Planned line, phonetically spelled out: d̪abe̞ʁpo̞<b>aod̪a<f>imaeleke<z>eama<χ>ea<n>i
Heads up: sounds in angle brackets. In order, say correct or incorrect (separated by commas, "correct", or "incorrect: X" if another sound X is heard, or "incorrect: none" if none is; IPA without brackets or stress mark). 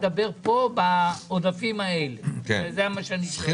correct, correct, correct, incorrect: ʃ, correct